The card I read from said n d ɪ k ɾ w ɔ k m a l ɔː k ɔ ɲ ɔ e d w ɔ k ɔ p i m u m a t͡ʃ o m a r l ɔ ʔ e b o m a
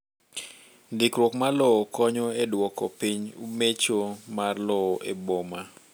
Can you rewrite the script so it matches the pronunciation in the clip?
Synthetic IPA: n d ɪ k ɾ w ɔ k m a l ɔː k ɔ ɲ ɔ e d w ɔ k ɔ p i ɲ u m e t͡ʃ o m a r l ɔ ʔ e b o m a

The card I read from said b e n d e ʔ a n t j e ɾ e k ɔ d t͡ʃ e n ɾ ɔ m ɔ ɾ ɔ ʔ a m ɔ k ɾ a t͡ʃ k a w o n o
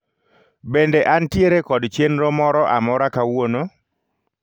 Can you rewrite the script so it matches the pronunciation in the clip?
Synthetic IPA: b e n d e ʔ a n t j e ɾ e k ɔ d t͡ʃ e n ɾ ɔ m ɔ ɾ ɔ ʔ a m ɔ ɾ a k a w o n o

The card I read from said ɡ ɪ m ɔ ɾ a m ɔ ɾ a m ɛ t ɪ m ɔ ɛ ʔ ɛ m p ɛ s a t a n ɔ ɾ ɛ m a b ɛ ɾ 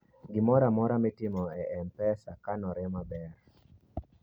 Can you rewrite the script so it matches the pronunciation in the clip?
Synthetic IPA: ɡ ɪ m ɔ ɾ a m ɔ ɾ a m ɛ t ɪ m ɔ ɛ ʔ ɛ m p ɛ s a k a n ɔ ɾ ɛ m a b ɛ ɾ

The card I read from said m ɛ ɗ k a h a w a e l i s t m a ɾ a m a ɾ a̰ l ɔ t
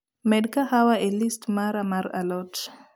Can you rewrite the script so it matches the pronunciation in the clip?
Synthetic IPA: m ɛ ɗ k a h a w a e l i s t m a ɾ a m a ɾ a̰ l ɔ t

